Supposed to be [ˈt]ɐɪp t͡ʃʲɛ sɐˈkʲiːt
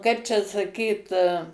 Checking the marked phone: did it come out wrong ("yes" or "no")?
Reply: yes